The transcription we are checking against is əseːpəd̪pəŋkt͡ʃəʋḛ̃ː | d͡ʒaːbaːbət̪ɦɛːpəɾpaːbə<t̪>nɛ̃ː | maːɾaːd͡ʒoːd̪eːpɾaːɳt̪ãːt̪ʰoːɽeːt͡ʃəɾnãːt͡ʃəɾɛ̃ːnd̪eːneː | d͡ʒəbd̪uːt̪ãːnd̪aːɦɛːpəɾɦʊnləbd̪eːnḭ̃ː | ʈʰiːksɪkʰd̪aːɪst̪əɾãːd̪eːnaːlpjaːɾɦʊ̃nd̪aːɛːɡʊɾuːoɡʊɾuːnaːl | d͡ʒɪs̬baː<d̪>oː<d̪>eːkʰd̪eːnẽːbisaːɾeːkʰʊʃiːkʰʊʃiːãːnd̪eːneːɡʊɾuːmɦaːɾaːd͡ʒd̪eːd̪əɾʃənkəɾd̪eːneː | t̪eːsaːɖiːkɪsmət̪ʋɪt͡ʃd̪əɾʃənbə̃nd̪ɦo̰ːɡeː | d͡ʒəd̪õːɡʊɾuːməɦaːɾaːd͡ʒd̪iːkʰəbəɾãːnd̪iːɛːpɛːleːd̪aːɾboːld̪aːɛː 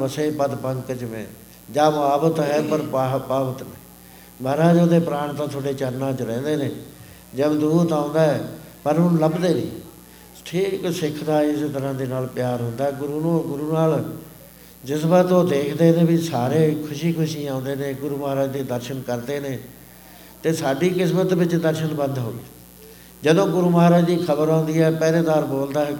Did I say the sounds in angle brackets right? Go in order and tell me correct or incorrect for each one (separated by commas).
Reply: correct, incorrect, correct